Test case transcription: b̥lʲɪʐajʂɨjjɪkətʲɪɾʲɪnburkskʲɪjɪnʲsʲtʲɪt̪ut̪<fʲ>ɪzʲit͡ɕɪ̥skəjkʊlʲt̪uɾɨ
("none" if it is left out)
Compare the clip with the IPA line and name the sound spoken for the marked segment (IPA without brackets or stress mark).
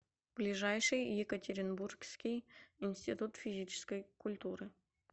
fʲ